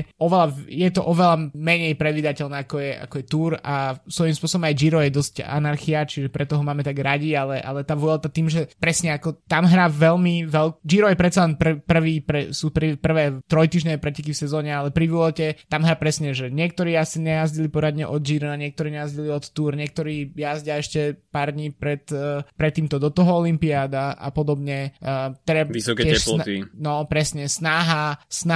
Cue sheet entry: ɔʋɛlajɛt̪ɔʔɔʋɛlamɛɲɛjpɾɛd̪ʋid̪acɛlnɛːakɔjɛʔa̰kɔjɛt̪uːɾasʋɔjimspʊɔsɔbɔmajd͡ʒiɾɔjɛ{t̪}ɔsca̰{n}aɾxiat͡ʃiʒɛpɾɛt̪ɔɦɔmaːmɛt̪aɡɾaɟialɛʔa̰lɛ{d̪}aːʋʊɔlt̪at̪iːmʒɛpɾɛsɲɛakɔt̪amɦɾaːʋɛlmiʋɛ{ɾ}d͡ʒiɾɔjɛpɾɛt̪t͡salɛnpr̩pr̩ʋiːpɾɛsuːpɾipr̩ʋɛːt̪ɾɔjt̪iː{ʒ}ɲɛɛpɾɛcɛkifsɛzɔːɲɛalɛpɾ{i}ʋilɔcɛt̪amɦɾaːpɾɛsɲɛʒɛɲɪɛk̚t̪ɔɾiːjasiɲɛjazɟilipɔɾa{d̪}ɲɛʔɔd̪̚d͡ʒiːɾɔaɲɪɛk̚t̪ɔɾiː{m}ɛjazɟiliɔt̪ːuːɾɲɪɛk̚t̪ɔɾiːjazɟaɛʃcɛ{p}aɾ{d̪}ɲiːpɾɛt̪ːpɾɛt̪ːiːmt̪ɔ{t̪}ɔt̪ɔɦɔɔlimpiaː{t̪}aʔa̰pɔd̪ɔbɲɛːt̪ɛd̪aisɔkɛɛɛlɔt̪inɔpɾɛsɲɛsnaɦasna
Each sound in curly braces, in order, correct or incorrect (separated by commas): incorrect, correct, incorrect, incorrect, correct, correct, correct, incorrect, correct, correct, incorrect, incorrect